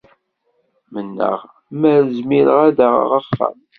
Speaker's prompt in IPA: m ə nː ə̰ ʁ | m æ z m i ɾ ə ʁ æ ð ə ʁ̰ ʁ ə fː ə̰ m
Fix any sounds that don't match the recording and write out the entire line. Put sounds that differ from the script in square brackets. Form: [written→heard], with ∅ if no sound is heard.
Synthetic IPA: m ə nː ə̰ ʁ | m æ z m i ɾ ə ʁ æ ð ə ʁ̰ ʁ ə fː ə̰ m

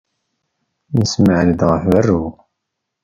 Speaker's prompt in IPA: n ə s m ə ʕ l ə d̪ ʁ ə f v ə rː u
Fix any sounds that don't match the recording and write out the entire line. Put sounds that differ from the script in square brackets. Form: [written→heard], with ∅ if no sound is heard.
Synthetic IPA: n ə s m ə ʕ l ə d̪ ʁ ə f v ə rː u

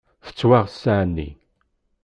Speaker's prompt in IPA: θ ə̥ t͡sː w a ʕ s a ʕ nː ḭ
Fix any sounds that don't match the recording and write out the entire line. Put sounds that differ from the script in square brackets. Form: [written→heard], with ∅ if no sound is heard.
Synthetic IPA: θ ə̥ t͡sː w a [ʕ→ʁ] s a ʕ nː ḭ

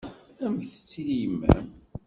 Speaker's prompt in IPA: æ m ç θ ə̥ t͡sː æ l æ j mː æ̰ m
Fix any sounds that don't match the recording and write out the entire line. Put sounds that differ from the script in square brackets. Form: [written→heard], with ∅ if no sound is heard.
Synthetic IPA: æ m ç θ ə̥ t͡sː [æ→i] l [æ→i] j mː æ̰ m

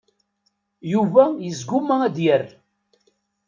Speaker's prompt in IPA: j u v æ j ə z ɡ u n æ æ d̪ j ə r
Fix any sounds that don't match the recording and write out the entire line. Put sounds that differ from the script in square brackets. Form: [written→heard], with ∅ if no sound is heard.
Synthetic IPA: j u v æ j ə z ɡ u [n→m] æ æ d̪ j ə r

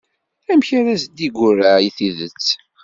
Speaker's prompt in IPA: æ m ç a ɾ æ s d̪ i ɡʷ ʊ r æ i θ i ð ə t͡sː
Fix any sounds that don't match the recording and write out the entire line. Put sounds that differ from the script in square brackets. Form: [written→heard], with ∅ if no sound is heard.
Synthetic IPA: æ m ç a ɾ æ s d̪ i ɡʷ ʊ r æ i θ i ð ə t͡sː

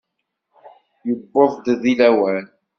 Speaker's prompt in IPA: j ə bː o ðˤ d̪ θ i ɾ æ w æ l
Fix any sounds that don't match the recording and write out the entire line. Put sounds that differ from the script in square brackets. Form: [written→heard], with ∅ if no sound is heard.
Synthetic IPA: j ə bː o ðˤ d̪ [θ→ð] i [ɾ→l] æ w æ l

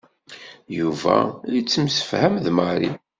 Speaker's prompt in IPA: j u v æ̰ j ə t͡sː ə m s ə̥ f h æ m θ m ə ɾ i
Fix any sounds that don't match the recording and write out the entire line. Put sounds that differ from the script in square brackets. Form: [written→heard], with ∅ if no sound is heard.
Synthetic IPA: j u v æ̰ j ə t͡sː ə m s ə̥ f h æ m [θ→ð] m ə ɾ i

